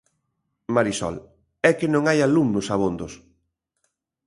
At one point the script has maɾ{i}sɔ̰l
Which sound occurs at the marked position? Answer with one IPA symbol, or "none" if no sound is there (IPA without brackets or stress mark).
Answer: i